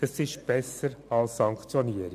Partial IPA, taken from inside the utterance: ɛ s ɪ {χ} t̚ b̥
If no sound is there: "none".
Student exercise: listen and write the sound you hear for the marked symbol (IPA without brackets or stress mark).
ʃ